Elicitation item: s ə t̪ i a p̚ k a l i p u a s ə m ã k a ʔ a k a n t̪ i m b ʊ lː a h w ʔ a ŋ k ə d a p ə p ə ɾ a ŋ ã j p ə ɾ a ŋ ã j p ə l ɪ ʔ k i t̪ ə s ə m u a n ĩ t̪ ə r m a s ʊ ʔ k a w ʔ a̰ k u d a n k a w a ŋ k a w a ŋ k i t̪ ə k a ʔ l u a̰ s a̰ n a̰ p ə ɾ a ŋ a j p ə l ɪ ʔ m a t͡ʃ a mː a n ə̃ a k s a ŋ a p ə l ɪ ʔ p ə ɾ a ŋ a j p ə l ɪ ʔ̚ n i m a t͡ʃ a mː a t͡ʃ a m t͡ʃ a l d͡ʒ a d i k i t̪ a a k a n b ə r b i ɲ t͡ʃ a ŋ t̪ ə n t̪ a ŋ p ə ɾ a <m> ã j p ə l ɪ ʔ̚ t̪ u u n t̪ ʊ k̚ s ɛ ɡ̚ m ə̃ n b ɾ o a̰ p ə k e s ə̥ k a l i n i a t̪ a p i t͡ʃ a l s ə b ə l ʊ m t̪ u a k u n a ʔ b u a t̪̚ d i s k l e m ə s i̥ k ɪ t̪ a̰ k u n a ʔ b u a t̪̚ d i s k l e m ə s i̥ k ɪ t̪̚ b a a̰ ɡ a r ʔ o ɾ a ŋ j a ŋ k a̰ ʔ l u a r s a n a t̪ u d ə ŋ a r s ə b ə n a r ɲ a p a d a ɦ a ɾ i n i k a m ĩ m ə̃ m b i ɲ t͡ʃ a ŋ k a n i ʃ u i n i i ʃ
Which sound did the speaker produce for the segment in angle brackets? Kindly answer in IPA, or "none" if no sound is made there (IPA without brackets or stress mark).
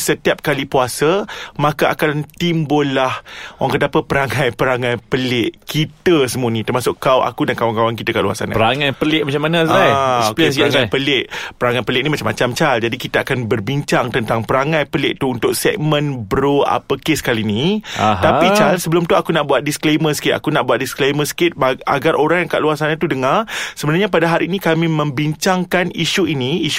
ŋ